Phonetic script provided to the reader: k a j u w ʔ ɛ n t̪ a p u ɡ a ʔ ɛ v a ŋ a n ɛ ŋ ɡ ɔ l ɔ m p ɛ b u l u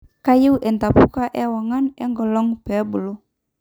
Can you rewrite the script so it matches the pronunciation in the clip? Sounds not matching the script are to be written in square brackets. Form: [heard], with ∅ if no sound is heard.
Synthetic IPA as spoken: k a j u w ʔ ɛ n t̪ a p u [k] a ʔ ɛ [w] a ŋ a n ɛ ŋ ɡ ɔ l ɔ [ŋ] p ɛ b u l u